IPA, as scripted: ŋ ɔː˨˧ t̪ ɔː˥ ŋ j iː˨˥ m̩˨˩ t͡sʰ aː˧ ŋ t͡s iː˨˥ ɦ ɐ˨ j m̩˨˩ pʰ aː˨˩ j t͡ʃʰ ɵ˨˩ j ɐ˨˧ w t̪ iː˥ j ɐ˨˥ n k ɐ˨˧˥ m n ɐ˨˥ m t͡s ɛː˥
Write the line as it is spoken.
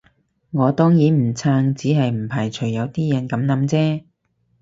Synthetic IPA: ŋ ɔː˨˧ t̪ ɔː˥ ŋ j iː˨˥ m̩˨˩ t͡sʰ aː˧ ŋ t͡s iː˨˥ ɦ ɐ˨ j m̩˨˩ pʰ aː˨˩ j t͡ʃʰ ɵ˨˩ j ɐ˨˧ w t̪ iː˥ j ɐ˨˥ n k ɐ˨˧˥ m n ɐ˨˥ m t͡s ɛː˥